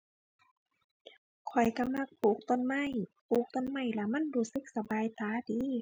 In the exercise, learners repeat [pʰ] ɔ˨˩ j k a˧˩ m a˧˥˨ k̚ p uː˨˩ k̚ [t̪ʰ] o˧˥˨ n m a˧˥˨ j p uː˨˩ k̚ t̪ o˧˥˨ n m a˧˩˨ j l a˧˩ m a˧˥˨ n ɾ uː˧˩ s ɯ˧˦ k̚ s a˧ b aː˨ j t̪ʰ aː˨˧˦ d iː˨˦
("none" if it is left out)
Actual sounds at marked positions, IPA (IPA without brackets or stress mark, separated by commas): kʰ, t̪